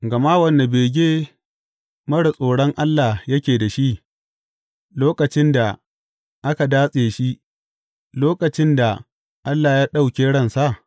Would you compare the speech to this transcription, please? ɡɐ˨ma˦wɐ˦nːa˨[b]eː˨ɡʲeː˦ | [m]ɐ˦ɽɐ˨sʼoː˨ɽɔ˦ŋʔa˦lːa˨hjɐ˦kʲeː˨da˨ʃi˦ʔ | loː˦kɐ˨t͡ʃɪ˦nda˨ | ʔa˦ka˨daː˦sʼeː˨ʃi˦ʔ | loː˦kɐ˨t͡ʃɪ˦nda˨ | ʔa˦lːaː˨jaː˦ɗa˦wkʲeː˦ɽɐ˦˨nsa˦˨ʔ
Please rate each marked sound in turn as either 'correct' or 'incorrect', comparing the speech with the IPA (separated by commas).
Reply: correct, correct